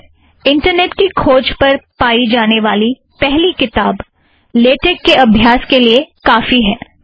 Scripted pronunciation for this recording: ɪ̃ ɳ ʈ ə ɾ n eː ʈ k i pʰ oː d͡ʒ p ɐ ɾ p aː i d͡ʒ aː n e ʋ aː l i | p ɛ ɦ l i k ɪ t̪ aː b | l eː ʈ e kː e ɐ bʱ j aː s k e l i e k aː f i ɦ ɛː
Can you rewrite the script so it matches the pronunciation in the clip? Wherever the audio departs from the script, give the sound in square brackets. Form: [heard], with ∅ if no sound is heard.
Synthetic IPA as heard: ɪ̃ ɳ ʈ ə ɾ n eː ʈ k i [kʰ] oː d͡ʒ p ɐ ɾ p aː i d͡ʒ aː n e ʋ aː l i | p ɛ ɦ l i k ɪ t̪ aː b | l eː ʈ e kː e ɐ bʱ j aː s k e l i e k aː f i ɦ ɛː

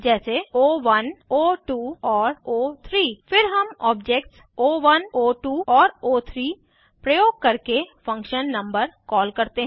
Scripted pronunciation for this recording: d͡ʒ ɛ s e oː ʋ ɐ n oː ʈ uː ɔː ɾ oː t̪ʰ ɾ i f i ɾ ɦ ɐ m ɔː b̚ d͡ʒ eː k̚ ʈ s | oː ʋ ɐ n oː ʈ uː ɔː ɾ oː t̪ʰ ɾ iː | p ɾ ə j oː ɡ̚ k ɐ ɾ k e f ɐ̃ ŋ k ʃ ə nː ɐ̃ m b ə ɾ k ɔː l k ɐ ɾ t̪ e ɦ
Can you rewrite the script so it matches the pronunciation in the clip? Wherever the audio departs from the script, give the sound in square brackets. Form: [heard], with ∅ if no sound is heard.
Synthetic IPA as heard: d͡ʒ [ɛː] s e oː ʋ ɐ n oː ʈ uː ɔː ɾ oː t̪ʰ ɾ [iː] f [ɪ] ɾ ɦ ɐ m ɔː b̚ d͡ʒ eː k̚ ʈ s | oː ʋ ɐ n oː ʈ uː ɔː ɾ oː t̪ʰ ɾ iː | p ɾ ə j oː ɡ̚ k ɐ ɾ k e f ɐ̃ ŋ k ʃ ə nː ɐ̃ m b ə ɾ k ɔː l k ɐ ɾ t̪ e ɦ

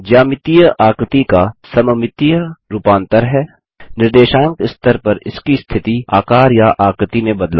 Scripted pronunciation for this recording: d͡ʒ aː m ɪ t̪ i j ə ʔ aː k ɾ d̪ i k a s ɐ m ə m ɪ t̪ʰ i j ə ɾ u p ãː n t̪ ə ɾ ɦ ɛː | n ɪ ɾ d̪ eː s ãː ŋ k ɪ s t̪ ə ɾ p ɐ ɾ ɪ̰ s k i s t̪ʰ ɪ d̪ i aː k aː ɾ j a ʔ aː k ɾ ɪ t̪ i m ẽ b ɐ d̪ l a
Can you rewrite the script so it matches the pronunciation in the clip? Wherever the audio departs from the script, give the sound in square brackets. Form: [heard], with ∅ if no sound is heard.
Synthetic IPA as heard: d͡ʒ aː m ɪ t̪ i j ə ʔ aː k ɾ [t̪] i k a s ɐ m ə m ɪ [t̪] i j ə ɾ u p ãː n t̪ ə ɾ ɦ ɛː | n ɪ ɾ d̪ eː [ʃ] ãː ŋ k ɪ s t̪ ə ɾ p ɐ ɾ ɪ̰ s k i s t̪ʰ ɪ [t̪] i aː k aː ɾ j a ʔ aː k ɾ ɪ t̪ i m ẽ b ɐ d̪ l a

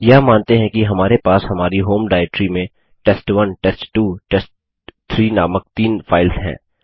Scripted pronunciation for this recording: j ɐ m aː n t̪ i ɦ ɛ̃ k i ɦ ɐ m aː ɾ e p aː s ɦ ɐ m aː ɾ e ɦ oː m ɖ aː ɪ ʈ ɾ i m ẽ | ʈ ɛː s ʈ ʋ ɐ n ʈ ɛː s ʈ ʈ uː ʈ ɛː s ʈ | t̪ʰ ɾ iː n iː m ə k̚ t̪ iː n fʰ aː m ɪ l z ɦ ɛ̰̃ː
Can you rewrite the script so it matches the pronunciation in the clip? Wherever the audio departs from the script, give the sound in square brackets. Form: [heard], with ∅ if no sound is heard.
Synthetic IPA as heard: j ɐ m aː n t̪ [e] ɦ ɛ̃ k i ɦ ɐ m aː ɾ e p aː s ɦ ɐ m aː ɾ [i] ɦ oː m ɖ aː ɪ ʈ ɾ i m ẽ | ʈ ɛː s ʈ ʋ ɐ n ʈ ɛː s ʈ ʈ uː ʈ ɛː s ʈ | t̪ʰ ɾ iː n [aː] m ə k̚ t̪ iː n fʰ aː [∅] ɪ l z ɦ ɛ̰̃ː

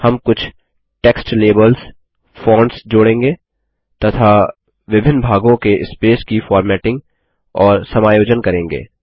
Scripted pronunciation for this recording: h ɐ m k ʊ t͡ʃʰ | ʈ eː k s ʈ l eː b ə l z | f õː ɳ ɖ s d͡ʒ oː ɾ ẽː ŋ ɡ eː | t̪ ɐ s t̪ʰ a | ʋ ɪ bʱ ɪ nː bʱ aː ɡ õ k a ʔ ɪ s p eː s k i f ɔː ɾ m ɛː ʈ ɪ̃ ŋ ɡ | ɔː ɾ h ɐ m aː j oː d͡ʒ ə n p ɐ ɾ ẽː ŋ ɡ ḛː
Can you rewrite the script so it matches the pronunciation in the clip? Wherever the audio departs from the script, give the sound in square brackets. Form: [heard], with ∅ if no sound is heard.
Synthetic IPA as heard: h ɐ m k ʊ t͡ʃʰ | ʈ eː k s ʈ l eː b ə l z | f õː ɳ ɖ s d͡ʒ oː [ɽ] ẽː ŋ ɡ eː | t̪ ɐ [∅] t̪ʰ a | ʋ ɪ bʱ ɪ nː bʱ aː ɡ õ k [e] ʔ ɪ s p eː s k i f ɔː ɾ m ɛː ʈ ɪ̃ ŋ ɡ | ɔː ɾ [s] ɐ m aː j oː d͡ʒ ə n [k] ɐ ɾ ẽː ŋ ɡ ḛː

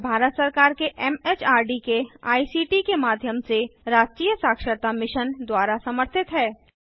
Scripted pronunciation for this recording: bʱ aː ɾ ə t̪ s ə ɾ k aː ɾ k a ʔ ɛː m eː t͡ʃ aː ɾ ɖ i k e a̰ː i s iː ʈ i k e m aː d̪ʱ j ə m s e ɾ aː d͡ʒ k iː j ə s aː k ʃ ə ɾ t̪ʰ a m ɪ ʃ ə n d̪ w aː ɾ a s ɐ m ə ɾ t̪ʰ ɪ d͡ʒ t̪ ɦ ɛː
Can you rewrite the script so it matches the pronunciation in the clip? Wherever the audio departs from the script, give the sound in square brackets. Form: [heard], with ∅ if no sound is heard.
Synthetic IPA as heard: bʱ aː ɾ ə t̪ s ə ɾ k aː ɾ k [e] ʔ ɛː m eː t͡ʃ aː ɾ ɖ i k e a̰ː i s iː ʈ i k e m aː d̪ʱ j ə m s e ɾ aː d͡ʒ k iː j ə s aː k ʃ ə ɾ [t̪] a m ɪ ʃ ə n d̪ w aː ɾ a s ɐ m ə ɾ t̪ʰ ɪ [∅] t̪ ɦ ɛː

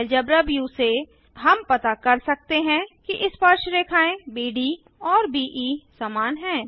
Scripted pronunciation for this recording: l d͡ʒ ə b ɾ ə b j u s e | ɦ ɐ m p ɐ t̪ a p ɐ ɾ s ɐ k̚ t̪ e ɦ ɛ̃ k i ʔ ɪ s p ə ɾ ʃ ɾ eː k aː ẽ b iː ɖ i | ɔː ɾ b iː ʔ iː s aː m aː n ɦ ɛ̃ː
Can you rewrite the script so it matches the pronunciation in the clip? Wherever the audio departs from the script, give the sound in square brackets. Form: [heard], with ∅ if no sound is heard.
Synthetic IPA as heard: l d͡ʒ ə b ɾ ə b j u s e | ɦ ɐ m p ɐ t̪ a [k] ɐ ɾ s ɐ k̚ t̪ e ɦ ɛ̃ k i ʔ ɪ s p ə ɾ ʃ ɾ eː [kʰ] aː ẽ b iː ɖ i | ɔː ɾ b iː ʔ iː s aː m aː n ɦ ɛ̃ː

